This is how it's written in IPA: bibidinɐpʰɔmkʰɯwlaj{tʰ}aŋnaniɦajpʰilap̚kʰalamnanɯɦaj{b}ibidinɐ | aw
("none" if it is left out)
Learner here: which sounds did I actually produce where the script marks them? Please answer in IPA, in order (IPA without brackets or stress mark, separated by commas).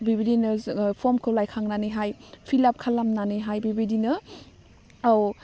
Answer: kʰ, b